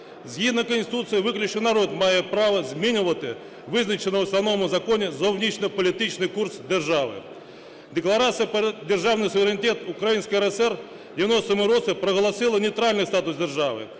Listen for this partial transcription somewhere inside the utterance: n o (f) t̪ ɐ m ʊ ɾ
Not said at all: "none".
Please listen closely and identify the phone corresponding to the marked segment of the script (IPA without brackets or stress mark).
s